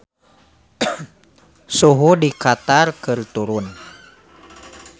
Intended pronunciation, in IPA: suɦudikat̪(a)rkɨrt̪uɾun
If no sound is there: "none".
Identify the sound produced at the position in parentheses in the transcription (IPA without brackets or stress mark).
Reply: a